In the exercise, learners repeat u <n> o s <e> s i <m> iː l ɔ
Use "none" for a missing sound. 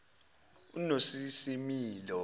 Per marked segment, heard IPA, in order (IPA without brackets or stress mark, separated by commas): n, i, m